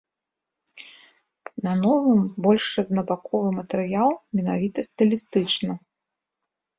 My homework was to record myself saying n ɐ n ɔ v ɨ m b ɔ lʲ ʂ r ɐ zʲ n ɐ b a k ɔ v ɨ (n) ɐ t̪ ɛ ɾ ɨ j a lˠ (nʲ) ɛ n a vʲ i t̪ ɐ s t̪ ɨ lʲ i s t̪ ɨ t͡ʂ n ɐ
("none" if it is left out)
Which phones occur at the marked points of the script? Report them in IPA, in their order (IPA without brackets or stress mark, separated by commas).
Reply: m, mʲ